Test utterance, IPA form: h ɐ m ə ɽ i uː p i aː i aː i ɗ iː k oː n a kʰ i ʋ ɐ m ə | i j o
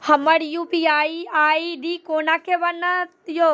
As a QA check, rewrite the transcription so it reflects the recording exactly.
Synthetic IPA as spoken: h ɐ m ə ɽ j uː p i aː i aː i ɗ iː k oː n a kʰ e ʋ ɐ n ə | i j o